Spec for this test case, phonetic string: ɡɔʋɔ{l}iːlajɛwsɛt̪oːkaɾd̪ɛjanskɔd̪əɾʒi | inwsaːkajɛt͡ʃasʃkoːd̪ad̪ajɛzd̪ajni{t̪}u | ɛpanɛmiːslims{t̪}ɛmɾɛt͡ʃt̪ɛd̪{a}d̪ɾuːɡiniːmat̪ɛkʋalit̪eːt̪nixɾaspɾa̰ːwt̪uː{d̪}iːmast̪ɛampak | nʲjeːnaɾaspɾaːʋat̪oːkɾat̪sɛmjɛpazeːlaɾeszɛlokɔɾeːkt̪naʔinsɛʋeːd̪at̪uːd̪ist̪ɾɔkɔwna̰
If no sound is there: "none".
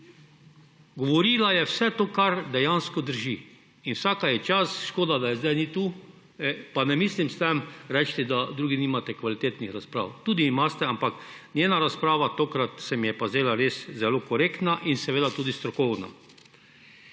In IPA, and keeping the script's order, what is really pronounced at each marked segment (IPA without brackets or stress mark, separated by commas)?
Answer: ɾ, t̪, t̪, a, d̪